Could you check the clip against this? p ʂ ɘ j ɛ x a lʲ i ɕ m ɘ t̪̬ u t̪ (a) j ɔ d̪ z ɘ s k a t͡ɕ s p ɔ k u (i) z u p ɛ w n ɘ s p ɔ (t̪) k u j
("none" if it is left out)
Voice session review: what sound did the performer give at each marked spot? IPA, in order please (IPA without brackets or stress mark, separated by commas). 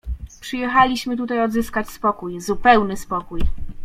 a, j, none